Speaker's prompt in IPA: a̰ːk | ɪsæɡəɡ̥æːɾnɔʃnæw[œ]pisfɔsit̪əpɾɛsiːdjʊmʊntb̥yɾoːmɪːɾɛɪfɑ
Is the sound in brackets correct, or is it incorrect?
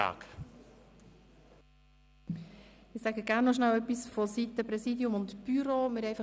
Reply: correct